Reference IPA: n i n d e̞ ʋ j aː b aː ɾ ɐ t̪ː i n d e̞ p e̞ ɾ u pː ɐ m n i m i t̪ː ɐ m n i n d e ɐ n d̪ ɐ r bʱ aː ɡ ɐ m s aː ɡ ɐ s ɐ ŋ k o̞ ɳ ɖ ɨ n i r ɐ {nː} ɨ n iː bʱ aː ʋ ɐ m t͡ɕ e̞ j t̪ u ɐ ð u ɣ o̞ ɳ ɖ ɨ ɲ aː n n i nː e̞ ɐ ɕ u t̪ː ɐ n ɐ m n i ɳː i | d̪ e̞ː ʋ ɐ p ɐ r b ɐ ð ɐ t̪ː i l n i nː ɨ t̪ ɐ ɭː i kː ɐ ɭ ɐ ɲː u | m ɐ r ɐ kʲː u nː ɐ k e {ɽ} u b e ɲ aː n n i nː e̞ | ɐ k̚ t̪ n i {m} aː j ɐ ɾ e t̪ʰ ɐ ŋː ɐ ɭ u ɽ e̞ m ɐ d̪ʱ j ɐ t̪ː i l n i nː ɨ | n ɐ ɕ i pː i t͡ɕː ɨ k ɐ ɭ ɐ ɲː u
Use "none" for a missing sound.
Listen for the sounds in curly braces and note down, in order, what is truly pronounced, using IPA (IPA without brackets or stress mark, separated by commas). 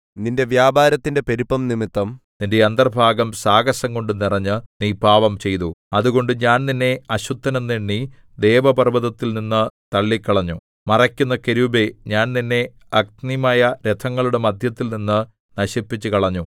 ɲː, ɾ, m